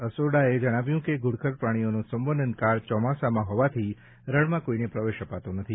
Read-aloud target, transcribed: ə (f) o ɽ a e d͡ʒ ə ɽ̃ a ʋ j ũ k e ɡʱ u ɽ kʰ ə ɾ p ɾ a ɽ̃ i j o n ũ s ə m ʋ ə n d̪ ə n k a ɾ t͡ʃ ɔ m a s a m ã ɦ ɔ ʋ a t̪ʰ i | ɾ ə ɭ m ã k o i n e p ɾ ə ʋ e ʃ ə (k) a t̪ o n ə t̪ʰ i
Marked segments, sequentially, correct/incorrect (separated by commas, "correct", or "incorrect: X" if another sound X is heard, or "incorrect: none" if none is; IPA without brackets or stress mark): incorrect: s, incorrect: p